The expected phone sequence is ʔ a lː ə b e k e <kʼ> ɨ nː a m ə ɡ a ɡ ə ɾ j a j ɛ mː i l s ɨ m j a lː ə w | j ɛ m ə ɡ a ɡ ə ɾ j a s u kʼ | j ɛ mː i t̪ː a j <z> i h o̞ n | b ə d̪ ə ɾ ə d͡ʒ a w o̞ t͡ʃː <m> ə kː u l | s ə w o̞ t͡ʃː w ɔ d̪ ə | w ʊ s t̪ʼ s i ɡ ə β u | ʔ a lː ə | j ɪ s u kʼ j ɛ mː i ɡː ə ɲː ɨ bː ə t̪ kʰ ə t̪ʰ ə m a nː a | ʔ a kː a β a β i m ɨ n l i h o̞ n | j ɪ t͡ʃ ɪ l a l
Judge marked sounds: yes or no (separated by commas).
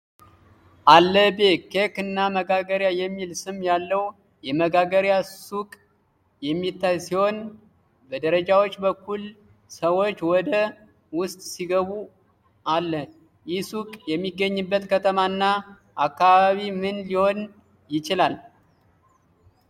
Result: no, no, no